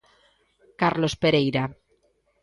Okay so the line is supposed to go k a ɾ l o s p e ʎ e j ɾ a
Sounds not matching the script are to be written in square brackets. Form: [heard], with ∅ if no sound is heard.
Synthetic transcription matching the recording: k a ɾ l o s p e [ɾ] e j ɾ a